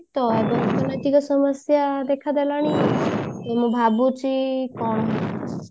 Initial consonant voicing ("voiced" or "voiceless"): voiceless